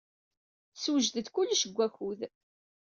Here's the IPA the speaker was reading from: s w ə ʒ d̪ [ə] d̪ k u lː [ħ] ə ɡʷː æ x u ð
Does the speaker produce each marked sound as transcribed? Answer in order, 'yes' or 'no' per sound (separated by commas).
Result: yes, no